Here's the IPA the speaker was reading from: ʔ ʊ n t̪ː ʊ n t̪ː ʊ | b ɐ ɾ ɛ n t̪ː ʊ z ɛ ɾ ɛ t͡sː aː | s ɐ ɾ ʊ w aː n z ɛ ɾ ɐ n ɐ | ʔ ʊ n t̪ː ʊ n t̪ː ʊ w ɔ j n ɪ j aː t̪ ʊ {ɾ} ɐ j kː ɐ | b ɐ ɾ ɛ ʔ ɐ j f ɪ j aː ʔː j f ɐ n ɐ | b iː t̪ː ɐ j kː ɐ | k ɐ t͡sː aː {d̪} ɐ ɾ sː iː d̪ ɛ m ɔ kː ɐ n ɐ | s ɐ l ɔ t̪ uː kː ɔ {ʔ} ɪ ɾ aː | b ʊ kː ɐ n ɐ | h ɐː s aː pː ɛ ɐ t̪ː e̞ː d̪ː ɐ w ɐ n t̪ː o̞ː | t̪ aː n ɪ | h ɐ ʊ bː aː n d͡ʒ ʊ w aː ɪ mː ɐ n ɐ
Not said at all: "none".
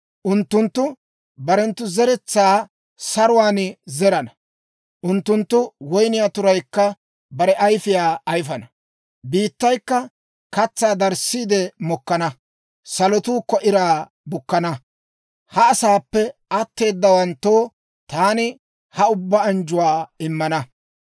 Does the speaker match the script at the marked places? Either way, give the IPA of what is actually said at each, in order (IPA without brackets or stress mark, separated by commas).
ɾ, d̪, ʔ